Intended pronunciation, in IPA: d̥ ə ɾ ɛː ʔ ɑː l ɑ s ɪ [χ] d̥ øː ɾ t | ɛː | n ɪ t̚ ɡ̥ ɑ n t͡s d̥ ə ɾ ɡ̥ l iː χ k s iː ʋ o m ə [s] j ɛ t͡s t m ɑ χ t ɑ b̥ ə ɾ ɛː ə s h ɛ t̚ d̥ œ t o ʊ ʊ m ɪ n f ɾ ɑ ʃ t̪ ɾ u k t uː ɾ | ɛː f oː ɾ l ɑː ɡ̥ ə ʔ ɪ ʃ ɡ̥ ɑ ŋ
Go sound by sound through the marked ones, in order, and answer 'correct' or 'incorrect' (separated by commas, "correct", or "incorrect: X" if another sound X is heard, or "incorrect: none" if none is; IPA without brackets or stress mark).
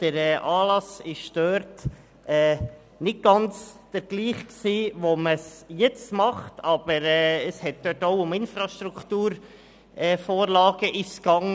incorrect: ʃ, correct